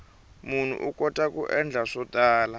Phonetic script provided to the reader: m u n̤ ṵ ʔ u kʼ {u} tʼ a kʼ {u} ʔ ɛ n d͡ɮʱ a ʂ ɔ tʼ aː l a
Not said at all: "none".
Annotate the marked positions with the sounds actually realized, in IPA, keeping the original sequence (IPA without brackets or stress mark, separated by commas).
ɔ, u